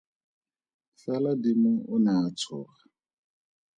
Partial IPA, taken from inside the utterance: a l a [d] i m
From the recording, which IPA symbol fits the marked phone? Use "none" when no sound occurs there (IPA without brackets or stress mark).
d